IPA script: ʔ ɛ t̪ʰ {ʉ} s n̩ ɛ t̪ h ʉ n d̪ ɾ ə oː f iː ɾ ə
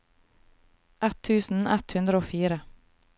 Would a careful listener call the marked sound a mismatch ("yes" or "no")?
yes